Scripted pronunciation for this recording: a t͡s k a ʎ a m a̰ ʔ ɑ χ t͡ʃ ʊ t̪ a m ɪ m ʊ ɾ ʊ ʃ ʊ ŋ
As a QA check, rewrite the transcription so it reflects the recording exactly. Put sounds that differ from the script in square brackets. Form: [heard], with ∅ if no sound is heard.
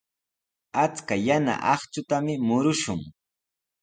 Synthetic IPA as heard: a t͡s k a [j] a [n] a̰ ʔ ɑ χ t͡ʃ ʊ t̪ a m ɪ m ʊ ɾ ʊ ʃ ʊ ŋ